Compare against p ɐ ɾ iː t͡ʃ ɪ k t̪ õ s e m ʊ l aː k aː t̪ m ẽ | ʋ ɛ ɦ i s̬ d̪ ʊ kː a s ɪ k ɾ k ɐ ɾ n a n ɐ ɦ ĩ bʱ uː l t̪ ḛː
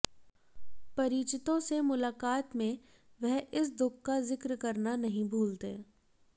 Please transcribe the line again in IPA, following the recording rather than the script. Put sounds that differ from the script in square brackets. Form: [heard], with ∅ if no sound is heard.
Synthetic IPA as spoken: p ɐ ɾ iː t͡ʃ ɪ [∅] t̪ õ s e m ʊ l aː k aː t̪ m ẽ | ʋ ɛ ɦ [ɪ] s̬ d̪ ʊ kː a [z] ɪ k ɾ k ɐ ɾ n a n ɐ ɦ ĩ bʱ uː l t̪ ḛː